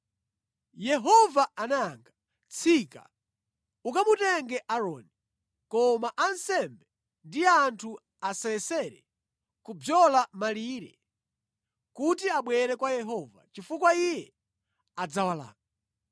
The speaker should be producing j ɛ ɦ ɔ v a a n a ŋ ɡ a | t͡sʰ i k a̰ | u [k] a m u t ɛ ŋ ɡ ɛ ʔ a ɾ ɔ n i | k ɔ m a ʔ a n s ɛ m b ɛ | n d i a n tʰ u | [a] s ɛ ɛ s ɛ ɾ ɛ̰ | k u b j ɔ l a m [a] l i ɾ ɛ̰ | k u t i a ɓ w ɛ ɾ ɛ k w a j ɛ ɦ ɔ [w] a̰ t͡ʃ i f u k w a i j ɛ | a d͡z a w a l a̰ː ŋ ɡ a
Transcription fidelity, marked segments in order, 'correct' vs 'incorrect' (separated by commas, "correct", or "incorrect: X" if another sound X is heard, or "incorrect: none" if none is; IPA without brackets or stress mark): correct, correct, correct, incorrect: v